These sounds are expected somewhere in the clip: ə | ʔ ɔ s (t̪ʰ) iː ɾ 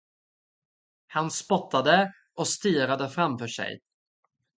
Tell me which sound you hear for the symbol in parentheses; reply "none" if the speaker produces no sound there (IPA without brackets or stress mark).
t̪